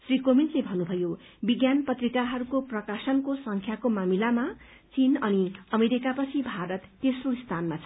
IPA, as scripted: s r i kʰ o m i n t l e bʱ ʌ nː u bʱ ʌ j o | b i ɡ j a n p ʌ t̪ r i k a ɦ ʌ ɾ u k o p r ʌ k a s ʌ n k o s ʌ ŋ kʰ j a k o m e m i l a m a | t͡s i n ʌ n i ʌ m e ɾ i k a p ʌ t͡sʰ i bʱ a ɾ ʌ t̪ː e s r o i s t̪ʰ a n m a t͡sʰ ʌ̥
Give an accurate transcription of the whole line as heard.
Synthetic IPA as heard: s r i k o m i n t l e bʱ ʌ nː u bʱ ʌ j o | b i ɡ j a n p ʌ t̪ r i k a ɦ ʌ ɾ u k o p r ʌ k a s ʌ n k o s ʌ ŋ kʰ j a k o m a m i l a m a | t͡s i n ʌ n i ʌ m e ɾ i k a p ʌ t͡sʰ i bʱ a ɾ ʌ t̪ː e s r o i s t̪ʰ a n m a t͡sʰ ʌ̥

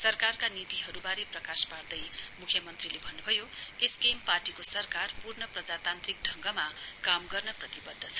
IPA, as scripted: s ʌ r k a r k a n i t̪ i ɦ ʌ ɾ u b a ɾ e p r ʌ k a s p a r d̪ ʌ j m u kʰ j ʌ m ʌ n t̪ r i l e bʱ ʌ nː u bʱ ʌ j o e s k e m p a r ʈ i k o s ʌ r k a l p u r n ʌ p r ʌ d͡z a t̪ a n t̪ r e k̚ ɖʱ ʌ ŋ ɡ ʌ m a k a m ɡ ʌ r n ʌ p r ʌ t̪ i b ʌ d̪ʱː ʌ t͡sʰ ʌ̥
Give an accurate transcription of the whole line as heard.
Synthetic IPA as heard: s ʌ r k a r k a n i t̪ i ɦ ʌ ɾ u b a ɾ e p r ʌ k a s p a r d̪ ʌ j m u kʰ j ʌ m ʌ n t̪ r i l e bʱ ʌ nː u bʱ ʌ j o e s k e m p a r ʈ i k o s ʌ r k a r p u r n ʌ p r ʌ d͡z a t̪ a n t̪ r i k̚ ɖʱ ʌ ŋ ɡ ʌ m a k a m ɡ ʌ r n ʌ p r ʌ t̪ i b ʌ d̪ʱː ʌ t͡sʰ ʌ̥

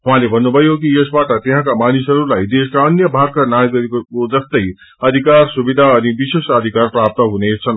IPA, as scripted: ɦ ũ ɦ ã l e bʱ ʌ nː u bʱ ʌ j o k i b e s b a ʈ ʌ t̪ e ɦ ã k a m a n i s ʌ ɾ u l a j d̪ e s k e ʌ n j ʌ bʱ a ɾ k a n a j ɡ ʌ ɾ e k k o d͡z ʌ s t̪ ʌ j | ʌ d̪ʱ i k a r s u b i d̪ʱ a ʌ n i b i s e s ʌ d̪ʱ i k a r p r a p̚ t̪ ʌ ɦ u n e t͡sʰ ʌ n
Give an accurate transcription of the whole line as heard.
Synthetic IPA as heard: ɦ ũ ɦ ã l e bʱ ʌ nː u bʱ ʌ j o k i e s b a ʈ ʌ t̪ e ɦ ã k a m a n i s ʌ ɾ u l a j d̪ e s k a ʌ n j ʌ bʱ a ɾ k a n a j ɡ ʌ ɾ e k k o d͡z ʌ s t̪ ʌ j | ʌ d̪ʱ i k a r s u b i d̪ʱ a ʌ n i b i s e s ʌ d̪ʱ i k a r p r a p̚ t̪ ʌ ɦ u n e t͡sʰ ʌ n

